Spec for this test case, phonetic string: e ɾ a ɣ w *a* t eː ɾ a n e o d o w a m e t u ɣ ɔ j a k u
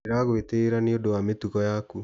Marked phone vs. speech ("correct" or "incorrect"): incorrect